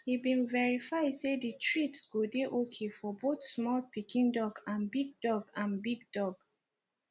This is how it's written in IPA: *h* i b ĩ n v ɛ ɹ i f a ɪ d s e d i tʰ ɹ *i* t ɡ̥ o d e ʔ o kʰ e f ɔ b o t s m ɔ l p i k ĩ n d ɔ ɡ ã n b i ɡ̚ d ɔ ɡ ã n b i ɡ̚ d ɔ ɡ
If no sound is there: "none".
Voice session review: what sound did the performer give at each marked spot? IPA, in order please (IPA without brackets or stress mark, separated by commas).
h, i